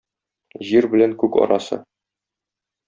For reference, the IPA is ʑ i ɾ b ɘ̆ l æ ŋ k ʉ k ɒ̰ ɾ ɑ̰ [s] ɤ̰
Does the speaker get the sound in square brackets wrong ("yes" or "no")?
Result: no